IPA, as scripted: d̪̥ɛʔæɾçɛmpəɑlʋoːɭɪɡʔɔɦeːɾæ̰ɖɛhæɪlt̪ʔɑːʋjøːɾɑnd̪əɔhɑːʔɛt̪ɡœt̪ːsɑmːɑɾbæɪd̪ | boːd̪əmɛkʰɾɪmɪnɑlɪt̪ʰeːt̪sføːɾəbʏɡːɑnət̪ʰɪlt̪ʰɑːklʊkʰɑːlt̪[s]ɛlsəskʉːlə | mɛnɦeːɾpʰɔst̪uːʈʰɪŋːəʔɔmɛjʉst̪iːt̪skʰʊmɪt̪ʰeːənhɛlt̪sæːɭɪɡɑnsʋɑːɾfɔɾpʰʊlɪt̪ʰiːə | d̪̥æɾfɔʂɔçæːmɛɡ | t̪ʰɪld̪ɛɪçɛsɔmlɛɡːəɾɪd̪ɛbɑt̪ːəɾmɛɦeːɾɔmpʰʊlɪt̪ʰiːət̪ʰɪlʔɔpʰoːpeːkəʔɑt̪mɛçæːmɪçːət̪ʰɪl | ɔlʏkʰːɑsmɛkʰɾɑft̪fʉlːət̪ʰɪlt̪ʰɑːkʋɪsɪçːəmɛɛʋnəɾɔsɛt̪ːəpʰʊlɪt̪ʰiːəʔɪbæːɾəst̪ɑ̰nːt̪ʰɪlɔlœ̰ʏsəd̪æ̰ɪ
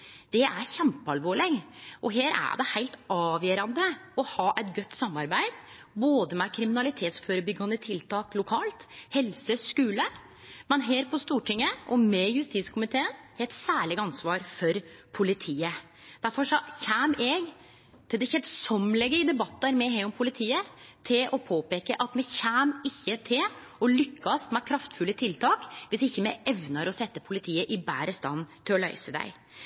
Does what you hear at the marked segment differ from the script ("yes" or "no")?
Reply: yes